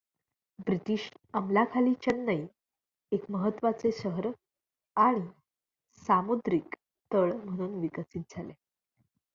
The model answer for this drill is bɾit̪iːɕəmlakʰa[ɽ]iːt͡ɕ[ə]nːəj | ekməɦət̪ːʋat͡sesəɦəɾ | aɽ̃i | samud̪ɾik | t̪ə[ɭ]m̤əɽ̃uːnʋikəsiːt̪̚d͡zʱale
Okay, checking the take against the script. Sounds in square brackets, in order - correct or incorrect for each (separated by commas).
incorrect, correct, correct